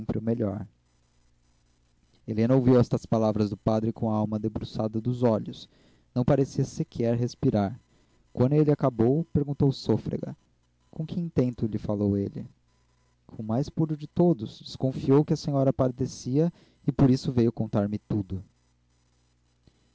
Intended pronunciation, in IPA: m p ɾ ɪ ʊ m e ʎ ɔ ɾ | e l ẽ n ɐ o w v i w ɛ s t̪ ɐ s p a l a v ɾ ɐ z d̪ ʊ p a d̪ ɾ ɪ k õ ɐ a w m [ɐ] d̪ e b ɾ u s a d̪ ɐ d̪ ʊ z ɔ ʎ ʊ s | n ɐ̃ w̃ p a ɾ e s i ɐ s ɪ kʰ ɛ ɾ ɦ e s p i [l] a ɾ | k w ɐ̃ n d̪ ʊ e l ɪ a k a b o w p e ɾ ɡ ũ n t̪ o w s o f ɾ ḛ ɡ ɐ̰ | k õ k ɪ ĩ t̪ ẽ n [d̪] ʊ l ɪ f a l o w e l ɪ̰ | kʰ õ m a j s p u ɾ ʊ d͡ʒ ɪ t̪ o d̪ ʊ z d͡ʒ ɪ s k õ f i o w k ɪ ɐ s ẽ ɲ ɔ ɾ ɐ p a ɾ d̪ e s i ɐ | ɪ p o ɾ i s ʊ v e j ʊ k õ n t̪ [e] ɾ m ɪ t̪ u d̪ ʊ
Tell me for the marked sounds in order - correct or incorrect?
correct, incorrect, incorrect, incorrect

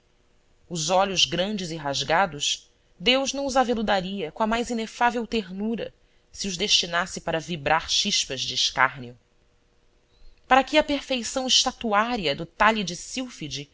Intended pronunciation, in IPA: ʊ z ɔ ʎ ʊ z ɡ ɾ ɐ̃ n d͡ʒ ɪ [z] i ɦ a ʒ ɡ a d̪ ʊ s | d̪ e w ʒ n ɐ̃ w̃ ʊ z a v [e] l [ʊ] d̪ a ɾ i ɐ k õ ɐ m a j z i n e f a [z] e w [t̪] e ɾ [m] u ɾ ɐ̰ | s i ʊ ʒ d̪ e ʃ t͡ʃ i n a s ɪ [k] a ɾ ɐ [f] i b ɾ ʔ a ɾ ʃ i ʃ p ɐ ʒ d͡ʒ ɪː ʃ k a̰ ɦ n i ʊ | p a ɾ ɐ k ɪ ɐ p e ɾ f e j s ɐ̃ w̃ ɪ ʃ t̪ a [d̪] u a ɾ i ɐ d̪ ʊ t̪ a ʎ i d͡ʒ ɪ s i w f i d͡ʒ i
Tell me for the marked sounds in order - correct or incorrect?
correct, correct, incorrect, incorrect, correct, incorrect, incorrect, incorrect, incorrect

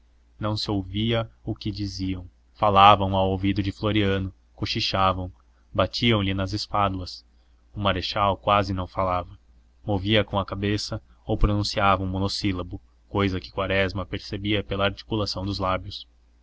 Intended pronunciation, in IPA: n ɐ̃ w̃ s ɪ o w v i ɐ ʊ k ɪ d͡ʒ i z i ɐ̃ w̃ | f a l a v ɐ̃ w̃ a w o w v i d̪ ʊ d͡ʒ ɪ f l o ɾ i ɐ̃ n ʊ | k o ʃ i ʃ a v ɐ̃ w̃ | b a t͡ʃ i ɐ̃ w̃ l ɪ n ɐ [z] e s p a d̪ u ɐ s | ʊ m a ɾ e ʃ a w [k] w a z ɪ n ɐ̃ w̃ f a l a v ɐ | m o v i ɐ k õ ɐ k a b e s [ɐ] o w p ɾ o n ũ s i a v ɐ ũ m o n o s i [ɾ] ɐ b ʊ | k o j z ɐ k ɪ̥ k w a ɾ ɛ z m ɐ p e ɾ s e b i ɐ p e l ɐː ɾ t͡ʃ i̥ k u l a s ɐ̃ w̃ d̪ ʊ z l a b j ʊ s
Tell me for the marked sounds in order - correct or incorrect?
correct, correct, correct, incorrect

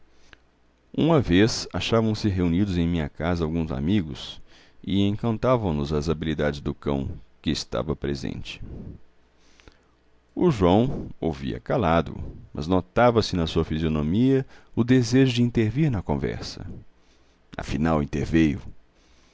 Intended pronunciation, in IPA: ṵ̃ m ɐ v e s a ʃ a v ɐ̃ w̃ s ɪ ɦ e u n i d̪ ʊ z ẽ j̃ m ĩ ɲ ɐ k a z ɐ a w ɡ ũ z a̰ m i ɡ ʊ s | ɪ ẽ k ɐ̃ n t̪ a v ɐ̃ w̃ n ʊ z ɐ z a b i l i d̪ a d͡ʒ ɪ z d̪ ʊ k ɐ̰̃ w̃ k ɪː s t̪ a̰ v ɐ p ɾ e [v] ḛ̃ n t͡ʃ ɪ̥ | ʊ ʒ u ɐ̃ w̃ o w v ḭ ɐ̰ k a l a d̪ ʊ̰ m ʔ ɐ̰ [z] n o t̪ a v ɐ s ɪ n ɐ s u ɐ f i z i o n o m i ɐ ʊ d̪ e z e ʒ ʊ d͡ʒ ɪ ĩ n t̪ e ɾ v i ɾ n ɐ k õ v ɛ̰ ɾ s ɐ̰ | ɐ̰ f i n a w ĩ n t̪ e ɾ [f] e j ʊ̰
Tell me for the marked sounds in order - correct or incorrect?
incorrect, correct, incorrect

